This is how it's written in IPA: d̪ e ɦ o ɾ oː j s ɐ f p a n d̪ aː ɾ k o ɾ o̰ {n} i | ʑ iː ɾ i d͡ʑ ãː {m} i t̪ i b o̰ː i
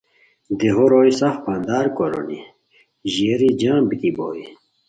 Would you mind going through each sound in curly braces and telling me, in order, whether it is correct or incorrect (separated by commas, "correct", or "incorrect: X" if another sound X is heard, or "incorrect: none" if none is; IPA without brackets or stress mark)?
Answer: correct, incorrect: b